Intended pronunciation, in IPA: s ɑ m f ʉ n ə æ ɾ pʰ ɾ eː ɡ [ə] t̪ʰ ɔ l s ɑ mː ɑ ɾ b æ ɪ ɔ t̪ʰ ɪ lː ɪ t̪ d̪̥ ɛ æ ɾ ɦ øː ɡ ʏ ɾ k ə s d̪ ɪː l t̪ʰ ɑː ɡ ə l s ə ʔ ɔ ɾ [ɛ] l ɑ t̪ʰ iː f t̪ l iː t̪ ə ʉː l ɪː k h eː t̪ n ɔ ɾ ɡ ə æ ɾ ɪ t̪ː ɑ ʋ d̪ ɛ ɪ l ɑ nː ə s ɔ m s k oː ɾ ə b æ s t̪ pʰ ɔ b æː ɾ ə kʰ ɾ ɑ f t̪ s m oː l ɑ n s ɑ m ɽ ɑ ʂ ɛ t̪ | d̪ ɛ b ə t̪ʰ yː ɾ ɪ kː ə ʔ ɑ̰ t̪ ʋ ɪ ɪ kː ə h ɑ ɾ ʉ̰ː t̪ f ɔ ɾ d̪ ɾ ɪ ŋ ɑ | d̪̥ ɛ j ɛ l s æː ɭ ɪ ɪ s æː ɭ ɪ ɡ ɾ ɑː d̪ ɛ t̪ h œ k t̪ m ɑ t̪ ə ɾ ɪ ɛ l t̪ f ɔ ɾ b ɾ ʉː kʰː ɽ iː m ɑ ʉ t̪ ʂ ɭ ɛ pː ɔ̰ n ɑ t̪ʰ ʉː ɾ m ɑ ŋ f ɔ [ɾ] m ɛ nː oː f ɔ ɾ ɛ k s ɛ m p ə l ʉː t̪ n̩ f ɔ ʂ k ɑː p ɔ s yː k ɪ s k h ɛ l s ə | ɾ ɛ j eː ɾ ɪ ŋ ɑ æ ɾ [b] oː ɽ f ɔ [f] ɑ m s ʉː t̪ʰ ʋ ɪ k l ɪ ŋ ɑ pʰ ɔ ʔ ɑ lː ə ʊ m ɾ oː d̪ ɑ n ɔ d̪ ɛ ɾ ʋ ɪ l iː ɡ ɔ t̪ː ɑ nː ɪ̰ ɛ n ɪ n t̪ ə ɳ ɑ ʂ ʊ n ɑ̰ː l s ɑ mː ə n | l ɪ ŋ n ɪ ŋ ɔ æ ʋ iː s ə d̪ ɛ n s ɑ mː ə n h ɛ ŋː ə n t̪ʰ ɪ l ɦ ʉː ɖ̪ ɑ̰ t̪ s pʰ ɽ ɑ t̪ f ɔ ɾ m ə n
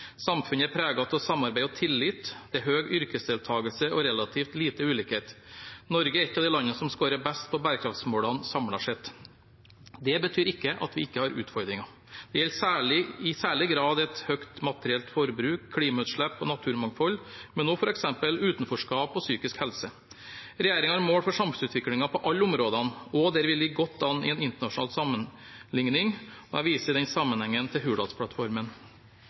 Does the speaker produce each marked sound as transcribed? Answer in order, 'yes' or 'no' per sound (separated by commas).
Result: no, yes, no, no, no